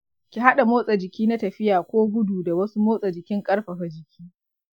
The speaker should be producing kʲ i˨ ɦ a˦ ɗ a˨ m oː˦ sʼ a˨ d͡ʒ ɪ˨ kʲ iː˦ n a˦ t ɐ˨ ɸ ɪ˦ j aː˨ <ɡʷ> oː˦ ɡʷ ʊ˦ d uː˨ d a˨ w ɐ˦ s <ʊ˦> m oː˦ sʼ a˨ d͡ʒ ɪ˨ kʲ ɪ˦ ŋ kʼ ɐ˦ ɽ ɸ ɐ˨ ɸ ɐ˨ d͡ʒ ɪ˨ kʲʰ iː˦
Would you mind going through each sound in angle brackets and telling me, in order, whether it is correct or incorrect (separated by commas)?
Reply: incorrect, incorrect